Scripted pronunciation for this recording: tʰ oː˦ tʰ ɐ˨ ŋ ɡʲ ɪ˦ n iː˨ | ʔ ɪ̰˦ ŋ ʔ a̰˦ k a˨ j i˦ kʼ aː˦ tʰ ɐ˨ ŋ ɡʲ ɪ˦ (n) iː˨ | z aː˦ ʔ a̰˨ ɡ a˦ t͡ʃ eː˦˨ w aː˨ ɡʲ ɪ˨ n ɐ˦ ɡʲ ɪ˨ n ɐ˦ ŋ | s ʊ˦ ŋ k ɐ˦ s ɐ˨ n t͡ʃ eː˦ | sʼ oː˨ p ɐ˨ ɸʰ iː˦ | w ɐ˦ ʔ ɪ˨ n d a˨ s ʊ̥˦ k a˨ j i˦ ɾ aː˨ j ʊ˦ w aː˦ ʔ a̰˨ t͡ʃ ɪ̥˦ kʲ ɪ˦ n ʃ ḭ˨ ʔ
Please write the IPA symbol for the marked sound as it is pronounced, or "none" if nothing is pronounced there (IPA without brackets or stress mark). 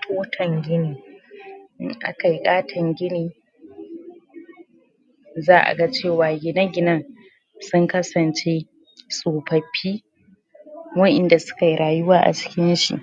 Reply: n